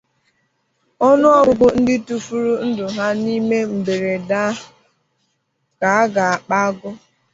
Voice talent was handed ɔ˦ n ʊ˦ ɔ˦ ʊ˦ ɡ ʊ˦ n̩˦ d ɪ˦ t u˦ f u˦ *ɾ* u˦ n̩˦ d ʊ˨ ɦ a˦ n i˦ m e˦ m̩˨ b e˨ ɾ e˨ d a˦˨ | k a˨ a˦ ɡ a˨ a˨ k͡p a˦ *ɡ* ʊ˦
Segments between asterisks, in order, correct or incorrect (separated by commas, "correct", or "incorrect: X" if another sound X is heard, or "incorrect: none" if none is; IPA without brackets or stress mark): correct, correct